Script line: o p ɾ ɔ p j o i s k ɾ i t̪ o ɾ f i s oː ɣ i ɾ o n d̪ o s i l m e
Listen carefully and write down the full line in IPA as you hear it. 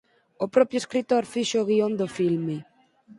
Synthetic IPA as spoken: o p ɾ ɔ p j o e s k ɾ i t̪ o ɾ f i ʃ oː ɣ i o n d̪ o f i l m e

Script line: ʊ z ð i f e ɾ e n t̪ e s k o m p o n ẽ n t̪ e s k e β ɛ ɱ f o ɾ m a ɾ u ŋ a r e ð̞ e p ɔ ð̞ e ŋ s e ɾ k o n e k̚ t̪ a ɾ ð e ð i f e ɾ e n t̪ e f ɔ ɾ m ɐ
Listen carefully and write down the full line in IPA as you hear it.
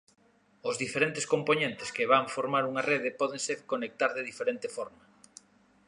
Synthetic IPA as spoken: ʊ z ð i f e ɾ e n t̪ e s k o m p o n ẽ n t̪ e s k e β a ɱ f o ɾ m a ɾ u ŋ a r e ð̞ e p ɔ ð̞ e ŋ s e ɾ k o n e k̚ t̪ a ɾ ð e ð i f e ɾ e n t̪ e f ɔ ɾ m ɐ

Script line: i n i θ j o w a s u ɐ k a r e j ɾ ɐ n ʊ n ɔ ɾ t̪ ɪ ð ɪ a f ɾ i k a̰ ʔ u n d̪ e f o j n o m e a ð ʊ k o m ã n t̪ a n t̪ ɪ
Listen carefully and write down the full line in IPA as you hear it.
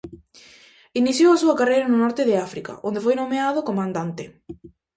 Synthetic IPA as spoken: i n i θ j o w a s u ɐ k a r e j ɾ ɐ n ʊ n ɔ ɾ t̪ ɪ ð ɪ a f ɾ i k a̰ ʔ o n d̪ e f o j n o m e a ð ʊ k o m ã n d̪ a n t̪ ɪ

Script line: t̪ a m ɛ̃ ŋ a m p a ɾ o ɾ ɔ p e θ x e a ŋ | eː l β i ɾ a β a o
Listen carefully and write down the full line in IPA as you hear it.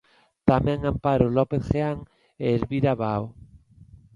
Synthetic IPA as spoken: t̪ a m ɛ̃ ŋ a m p a ɾ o l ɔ p e θ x e a ŋ | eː l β i ɾ a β a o

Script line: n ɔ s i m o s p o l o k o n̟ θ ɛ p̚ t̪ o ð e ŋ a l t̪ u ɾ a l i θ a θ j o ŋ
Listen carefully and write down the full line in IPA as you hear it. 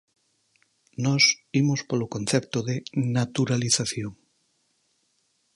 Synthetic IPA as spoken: n ɔ s i m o s p o l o k o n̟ θ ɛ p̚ t̪ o ð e n a t̪ u ɾ a l i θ a θ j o ŋ

